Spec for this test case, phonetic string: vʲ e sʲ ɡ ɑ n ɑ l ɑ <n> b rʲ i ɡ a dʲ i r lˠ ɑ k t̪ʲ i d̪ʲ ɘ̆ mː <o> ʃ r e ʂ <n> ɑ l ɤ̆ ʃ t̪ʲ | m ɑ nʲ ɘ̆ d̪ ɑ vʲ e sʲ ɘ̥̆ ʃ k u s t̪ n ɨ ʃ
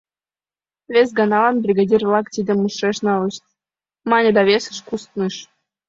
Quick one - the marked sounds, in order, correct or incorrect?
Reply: correct, incorrect: u, correct

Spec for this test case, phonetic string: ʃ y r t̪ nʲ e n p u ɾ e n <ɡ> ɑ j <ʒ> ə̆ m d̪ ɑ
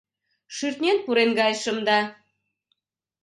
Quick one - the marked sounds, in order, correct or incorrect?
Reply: correct, incorrect: ʃ

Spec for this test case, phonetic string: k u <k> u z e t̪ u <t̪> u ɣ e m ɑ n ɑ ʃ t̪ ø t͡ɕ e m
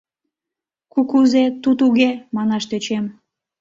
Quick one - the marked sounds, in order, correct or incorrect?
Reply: correct, correct

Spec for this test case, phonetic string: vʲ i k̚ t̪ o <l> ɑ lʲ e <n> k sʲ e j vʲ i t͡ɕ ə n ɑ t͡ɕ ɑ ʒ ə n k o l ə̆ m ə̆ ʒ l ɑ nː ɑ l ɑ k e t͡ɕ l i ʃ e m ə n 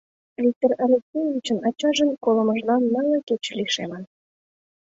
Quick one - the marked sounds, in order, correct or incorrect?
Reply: incorrect: r, incorrect: none

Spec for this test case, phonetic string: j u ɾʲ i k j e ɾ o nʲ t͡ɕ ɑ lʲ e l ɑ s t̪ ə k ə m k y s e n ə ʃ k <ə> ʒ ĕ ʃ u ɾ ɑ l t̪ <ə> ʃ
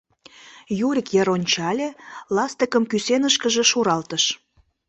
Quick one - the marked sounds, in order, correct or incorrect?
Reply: correct, correct

